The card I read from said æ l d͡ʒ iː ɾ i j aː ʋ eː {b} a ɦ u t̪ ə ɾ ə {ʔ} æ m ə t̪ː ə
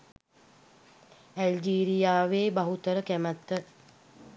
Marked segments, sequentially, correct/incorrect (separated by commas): correct, incorrect